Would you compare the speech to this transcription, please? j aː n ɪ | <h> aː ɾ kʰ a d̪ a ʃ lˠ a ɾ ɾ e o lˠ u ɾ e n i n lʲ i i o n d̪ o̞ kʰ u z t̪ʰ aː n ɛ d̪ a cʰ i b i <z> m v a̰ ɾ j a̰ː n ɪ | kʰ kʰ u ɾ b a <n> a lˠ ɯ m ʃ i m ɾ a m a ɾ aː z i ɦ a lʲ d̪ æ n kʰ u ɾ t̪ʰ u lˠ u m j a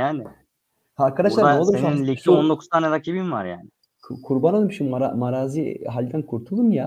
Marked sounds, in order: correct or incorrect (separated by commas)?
correct, incorrect, correct